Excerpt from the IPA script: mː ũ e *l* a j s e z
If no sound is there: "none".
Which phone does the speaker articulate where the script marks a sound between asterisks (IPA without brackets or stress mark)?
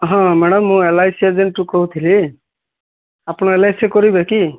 l